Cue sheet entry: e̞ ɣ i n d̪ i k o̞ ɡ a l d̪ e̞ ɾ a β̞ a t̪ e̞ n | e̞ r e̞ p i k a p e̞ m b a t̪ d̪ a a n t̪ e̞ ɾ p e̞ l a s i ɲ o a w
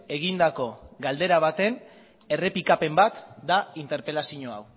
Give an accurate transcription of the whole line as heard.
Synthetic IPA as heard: e̞ ɣ i n d̪ a k o̞ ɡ a l d̪ e̞ ɾ a β̞ a t̪ e̞ n | e̞ r e̞ p i k a p e̞ m b a t̪ d̪ a i n t̪ e̞ ɾ p e̞ l a s i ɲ o a w